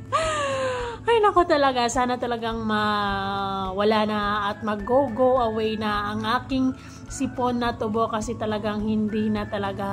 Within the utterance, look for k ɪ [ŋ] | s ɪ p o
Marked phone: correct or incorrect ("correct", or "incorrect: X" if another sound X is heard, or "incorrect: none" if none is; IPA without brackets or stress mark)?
correct